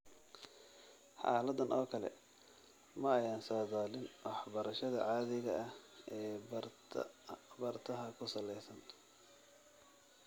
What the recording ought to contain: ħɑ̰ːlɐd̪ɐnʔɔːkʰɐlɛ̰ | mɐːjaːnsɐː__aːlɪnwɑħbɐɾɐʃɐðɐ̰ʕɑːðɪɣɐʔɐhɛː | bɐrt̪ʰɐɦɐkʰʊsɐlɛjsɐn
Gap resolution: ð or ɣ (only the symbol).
ð